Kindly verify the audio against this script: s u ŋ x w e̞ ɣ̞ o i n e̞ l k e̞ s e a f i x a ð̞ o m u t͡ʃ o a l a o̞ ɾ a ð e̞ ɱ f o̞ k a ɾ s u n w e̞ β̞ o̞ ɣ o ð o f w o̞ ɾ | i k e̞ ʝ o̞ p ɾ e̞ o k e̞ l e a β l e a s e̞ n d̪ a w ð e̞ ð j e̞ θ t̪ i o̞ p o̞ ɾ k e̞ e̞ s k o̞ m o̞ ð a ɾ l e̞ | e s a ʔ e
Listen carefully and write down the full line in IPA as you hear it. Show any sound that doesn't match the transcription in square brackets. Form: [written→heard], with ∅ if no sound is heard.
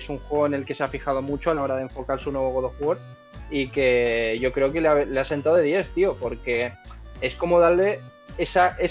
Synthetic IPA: s u ŋ x w e̞ ɣ̞ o [i→e] n e̞ l k e̞ s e a f i x a ð̞ o m u t͡ʃ o a l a o̞ ɾ a ð e̞ ɱ f o̞ k a ɾ s u n w e̞ β̞ o̞ ɣ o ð o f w o̞ ɾ | i k e̞ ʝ o̞ [p→k] ɾ e̞ o k e̞ l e a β l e a s e̞ n [d̪→t̪] a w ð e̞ ð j e̞ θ t̪ i o̞ p o̞ ɾ k e̞ e̞ s k o̞ m o̞ ð a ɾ l e̞ | e s a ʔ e